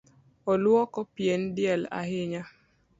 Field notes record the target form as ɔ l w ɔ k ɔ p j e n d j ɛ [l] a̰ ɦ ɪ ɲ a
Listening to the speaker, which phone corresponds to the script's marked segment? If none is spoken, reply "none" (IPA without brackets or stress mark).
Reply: l